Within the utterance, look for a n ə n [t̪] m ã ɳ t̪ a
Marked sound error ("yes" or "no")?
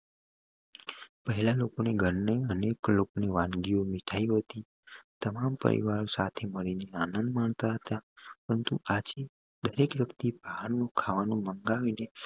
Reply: yes